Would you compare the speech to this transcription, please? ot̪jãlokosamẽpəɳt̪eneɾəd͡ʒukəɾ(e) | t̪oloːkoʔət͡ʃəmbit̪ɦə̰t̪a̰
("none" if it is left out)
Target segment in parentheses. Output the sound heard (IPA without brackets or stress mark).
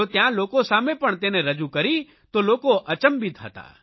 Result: i